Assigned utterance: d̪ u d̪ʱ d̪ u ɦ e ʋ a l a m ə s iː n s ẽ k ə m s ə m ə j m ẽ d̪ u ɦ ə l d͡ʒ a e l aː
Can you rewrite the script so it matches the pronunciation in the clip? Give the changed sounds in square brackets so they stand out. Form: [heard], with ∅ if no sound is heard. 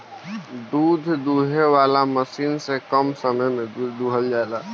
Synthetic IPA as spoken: d̪ u d̪ʱ d̪ u ɦ e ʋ a l a m ə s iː n s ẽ k ə m s ə m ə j m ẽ d̪ u ɦ ə l d͡ʒ a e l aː